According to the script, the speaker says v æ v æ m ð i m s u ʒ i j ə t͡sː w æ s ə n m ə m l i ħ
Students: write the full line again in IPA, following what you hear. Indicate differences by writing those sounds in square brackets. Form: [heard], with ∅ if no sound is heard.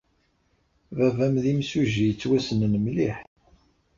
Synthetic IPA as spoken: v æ v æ m ð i m s u ʒ i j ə t͡sː w æ s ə n [n] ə m l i ħ